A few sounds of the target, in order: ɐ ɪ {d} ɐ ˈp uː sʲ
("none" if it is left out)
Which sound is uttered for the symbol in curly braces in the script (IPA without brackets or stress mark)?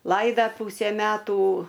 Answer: d